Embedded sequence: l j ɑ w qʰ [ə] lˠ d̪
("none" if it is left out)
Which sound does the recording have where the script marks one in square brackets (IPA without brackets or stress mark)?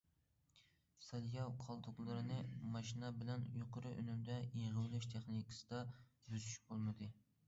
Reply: ɑ